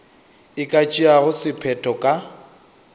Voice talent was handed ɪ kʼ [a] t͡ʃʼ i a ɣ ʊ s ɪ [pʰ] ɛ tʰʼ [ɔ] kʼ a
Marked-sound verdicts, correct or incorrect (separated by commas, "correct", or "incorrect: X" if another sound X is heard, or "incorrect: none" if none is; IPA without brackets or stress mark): correct, correct, correct